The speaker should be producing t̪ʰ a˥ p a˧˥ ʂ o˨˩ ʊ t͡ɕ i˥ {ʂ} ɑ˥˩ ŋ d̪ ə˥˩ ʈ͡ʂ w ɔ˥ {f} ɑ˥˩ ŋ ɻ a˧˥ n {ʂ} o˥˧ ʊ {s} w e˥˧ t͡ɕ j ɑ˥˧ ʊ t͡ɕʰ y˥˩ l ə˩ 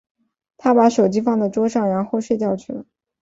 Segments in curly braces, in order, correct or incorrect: incorrect: f, incorrect: ʂ, incorrect: x, incorrect: ʂ

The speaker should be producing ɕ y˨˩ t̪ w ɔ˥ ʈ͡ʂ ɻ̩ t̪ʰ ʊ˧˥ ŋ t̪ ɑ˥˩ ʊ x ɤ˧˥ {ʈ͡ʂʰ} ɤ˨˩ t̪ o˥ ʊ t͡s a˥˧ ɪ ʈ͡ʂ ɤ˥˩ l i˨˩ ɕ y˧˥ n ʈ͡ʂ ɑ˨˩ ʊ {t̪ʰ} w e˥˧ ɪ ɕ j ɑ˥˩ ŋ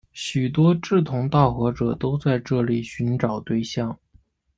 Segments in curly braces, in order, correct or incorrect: incorrect: ʈ͡ʂ, incorrect: t̪

